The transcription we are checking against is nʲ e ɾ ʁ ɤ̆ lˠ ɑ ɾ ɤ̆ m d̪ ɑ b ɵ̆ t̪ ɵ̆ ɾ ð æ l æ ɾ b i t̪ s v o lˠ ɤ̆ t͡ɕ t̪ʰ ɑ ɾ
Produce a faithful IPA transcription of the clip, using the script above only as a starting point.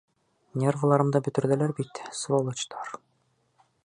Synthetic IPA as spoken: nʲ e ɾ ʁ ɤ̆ lˠ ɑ ɾ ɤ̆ m d̪ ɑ b ɵ̆ t̪ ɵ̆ ɾ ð æ l æ ɾ b i t̪ s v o lˠ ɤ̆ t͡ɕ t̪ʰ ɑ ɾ